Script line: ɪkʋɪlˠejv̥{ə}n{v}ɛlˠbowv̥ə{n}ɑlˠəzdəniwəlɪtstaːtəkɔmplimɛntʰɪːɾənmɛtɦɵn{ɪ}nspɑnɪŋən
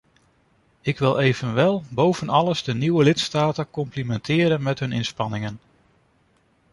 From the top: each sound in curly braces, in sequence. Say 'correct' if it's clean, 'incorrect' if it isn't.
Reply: correct, incorrect: ʋ, correct, correct

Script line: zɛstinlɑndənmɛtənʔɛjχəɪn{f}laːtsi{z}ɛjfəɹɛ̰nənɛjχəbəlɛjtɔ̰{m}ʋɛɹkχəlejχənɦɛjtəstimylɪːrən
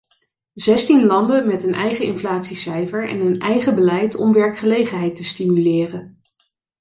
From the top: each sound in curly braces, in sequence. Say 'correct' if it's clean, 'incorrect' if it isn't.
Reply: correct, incorrect: s, correct

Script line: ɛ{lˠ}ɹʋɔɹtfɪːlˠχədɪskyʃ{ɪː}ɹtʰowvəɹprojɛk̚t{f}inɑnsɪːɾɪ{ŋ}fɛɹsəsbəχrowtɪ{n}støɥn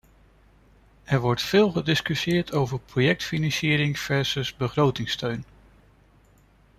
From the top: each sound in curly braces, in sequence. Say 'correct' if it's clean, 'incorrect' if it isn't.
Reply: incorrect: none, correct, correct, correct, incorrect: ŋ

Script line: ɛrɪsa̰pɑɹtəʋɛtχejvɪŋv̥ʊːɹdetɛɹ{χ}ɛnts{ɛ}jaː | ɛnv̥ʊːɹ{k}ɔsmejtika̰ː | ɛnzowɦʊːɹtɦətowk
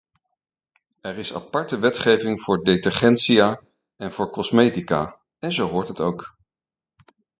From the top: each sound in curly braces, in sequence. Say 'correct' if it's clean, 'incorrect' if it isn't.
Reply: correct, incorrect: i, correct

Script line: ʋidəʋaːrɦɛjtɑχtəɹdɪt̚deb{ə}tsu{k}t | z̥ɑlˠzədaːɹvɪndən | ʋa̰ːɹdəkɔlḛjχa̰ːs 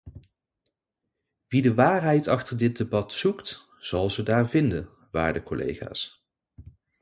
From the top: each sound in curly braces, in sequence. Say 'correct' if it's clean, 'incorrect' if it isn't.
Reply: incorrect: ɑ, correct

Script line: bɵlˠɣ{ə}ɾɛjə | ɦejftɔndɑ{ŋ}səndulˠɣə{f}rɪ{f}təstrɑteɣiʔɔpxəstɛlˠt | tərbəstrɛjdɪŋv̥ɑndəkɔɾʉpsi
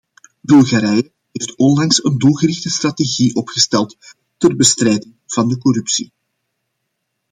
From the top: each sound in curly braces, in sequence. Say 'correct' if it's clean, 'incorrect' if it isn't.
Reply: incorrect: a, correct, incorrect: none, incorrect: x

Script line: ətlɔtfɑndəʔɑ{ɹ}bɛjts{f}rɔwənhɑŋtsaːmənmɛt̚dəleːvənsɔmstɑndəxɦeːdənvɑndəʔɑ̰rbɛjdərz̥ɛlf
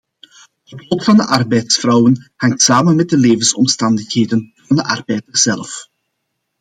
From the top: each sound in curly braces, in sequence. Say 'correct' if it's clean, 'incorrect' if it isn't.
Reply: incorrect: r, correct

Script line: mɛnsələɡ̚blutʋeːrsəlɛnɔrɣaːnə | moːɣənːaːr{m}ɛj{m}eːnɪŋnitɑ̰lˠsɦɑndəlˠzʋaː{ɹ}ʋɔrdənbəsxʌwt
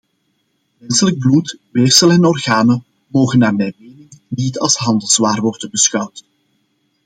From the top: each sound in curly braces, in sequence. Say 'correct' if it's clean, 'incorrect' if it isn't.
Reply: correct, correct, incorrect: r

